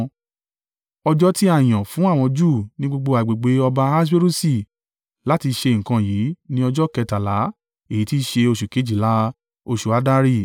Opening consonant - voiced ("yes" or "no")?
yes